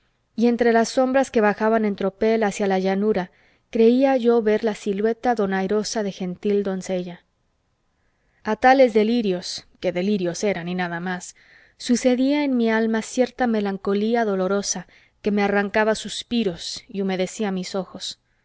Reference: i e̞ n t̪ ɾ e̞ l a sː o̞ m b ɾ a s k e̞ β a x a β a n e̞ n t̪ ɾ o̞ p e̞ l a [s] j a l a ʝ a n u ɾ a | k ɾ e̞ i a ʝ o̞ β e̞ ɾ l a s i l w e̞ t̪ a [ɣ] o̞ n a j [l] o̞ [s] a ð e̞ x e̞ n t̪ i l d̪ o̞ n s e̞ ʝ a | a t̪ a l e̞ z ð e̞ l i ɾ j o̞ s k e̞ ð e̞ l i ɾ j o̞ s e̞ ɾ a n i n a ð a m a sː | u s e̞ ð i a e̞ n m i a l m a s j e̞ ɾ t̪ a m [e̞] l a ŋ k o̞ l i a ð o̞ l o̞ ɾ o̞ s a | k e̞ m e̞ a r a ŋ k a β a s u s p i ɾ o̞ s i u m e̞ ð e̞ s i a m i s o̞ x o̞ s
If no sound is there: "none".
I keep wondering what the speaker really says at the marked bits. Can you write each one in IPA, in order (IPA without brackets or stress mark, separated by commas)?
s, ð, ɾ, s, e̞